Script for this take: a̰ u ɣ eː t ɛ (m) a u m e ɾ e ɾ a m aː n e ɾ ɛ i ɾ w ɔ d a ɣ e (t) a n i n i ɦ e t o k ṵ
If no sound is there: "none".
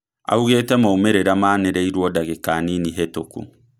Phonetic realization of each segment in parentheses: m, k

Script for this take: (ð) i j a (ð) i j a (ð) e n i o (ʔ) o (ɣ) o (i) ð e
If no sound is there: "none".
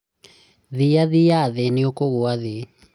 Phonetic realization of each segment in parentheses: ð, ð, ð, k, ɣ, a

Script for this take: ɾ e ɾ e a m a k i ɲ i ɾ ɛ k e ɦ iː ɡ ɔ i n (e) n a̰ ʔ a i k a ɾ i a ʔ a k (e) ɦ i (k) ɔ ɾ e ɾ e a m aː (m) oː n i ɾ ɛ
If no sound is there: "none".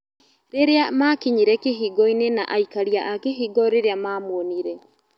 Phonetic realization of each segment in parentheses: e, e, ɡ, m

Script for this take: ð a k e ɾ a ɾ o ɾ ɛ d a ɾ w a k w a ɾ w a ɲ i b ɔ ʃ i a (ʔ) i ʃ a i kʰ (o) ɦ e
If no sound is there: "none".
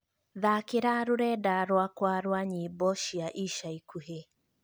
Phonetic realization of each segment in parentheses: ʔ, u

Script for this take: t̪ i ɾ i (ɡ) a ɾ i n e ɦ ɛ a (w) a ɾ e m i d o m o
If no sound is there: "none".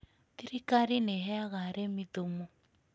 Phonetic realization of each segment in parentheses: k, ɣ

